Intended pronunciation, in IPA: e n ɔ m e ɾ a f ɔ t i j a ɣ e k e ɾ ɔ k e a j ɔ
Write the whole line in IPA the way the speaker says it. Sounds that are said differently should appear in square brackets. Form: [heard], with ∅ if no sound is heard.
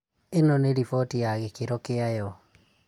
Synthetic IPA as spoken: e n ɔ [n] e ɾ [i] f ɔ t i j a ɣ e k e ɾ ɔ k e a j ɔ

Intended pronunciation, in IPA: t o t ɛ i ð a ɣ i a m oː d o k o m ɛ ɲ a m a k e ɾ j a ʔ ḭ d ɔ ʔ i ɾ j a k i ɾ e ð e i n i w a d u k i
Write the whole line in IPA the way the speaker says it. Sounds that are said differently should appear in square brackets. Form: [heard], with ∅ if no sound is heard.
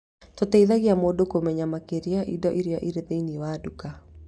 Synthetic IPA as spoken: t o t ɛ i ð a ɣ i a m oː d o k o m ɛ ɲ a m a k e ɾ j a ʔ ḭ d ɔ ʔ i ɾ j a [ʔ] i ɾ e ð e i n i w a d u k [a]

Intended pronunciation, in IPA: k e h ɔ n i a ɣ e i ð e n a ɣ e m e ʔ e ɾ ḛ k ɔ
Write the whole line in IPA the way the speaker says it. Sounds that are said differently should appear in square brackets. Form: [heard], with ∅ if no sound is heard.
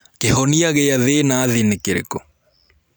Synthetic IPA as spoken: k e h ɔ n i a ɣ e [a] ð e n a [ð] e [n] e [k] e ɾ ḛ k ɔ

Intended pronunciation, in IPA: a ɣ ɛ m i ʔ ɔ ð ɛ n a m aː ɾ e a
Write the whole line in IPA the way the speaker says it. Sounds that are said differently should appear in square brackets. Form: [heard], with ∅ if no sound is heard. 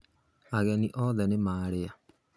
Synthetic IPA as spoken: a ɣ ɛ [n] i ʔ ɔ ð ɛ n [e] m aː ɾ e a

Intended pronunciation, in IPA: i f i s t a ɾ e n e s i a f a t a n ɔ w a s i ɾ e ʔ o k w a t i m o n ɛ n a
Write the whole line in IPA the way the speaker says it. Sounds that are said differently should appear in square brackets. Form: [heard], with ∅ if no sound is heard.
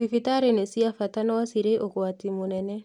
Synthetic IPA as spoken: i f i [∅] t a ɾ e n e s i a f a t a n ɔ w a s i ɾ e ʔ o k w a t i m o n ɛ n [ɛ]

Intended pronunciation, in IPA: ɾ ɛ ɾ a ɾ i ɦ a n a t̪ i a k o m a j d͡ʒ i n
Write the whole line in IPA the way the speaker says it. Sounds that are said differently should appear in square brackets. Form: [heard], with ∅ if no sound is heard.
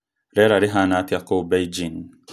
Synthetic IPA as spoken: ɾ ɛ ɾ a ɾ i ɦ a n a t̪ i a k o [b] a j d͡ʒ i n

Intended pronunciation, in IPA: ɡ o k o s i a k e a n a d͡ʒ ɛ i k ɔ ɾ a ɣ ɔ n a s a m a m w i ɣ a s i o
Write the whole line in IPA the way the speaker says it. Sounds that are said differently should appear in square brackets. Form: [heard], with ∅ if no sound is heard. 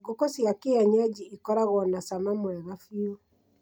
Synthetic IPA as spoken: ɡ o k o s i a k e a [ɲ] a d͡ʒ [i] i k ɔ ɾ a ɣ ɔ n a s a m a m w [ɛ] ɣ a [f] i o

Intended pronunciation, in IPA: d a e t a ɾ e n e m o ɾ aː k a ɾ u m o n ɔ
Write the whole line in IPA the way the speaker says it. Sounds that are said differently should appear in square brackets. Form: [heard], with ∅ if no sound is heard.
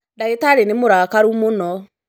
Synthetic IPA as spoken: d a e t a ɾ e n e m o ɾ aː k a ɾ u m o n ɔ

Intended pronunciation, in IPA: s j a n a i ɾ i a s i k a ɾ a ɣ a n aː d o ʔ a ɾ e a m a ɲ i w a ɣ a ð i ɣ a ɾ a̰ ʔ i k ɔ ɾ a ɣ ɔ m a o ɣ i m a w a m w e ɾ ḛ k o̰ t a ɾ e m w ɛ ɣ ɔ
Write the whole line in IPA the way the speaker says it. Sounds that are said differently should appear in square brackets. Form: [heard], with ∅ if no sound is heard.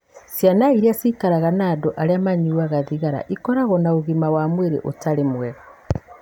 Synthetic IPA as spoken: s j a n a i ɾ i a s i k a ɾ a ɣ a n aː d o ʔ a ɾ e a m a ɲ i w a ɣ a ð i ɣ a ɾ a̰ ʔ i k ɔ ɾ a ɣ ɔ [n] a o ɣ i m a w a m w e ɾ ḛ [ʔ] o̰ t a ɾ e m w ɛ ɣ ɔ

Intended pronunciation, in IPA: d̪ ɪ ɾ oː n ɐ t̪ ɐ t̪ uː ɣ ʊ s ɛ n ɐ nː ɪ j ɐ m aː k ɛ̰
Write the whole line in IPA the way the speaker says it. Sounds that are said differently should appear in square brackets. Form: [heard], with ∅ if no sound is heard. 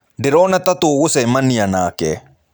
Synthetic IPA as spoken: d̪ ɪ ɾ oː n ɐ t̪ ɐ t̪ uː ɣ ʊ s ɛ [m] ɐ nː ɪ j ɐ [n] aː k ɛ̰

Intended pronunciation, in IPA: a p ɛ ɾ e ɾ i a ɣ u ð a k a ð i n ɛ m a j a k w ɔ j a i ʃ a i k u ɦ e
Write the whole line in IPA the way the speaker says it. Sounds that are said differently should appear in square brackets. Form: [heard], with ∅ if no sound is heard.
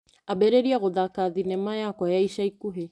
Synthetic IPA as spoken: a [b] ɛ ɾ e ɾ i a ɣ [o] ð a k a ð i n ɛ m a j a k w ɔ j a i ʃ a i k u ɦ e

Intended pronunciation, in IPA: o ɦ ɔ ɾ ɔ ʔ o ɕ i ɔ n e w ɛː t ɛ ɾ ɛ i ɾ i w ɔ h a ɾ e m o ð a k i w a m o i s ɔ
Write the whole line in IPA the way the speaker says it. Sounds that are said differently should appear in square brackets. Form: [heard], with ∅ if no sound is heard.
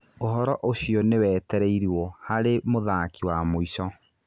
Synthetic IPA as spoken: o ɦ ɔ ɾ ɔ ʔ o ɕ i ɔ n e w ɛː t ɛ ɾ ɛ i ɾ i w ɔ h a ɾ e m o ð a k i w a m o i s ɔ

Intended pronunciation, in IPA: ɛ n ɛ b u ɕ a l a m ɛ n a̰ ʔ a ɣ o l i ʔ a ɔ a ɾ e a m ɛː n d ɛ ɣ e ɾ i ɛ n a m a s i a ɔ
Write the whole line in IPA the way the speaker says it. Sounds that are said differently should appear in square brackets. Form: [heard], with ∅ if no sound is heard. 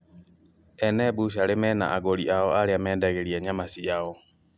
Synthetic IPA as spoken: ɛ n ɛ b u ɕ a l [e] m ɛ n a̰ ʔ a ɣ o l i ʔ a ɔ a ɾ e a m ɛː n d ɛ ɣ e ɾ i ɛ [ɲ] a m a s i a ɔ

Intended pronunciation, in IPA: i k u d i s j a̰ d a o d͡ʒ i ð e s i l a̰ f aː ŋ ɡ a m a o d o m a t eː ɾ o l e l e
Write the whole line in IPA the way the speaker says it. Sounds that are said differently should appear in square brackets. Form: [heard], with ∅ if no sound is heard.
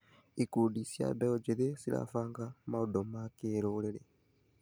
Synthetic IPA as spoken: i k u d i s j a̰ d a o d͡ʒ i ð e s i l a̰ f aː ŋ ɡ a m a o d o m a [k] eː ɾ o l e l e

